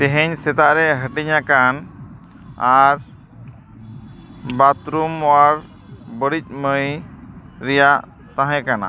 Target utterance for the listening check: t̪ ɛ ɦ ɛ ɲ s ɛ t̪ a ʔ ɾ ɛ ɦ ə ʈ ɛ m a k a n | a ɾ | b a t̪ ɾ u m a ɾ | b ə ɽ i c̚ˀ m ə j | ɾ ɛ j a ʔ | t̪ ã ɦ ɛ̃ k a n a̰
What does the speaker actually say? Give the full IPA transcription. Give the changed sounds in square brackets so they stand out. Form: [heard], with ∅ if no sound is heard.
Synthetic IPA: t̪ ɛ ɦ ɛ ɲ s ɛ t̪ a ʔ ɾ ɛ ɦ ə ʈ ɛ [ɲ] a k a n | a ɾ | b a t̪ ɾ u m a ɾ | b ə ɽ i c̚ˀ m ə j | ɾ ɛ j a ʔ | t̪ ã ɦ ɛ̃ k a n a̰